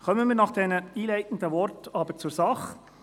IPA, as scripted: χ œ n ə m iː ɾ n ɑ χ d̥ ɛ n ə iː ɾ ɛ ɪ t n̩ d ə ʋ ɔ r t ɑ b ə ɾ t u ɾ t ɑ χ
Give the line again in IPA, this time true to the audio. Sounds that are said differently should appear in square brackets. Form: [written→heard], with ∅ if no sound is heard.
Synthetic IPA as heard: χ œ [n→m] ə m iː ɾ n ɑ χ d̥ ɛ n ə iː [ɾ→l] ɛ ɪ t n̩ d ə ʋ ɔ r t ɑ b ə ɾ [t→t͡s] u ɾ [t→s] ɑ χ